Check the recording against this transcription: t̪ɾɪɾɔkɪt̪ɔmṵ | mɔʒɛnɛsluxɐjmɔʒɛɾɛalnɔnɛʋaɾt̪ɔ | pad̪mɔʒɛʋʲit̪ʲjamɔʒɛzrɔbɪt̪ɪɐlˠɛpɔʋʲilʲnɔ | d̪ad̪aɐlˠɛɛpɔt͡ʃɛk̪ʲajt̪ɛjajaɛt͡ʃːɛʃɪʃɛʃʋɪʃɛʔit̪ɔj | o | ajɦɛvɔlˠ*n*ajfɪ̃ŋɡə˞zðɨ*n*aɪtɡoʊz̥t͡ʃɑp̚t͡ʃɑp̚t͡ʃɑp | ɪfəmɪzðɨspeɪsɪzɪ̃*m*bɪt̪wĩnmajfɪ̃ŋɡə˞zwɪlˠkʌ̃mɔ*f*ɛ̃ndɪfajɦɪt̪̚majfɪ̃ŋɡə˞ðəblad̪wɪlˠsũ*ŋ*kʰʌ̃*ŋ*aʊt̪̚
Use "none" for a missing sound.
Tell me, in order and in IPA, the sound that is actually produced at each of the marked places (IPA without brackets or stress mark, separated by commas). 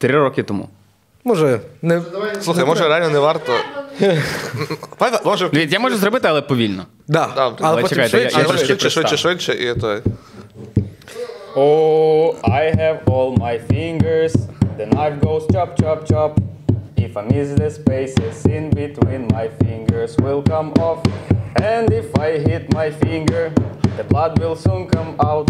m, n, n, f, n, m